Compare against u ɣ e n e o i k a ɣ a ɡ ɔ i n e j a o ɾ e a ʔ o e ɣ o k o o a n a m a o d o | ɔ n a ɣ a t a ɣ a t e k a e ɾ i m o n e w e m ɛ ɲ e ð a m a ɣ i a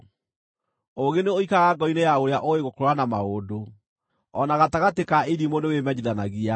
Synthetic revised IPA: o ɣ e n e o i k a ɣ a ɡ ɔ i n e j a o ɾ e a ʔ o e ɣ o k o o a n a m a o d o | ɔ n a ɣ a t a ɣ a t e k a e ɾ i m o n e w e m ɛ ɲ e ð a n a ɣ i a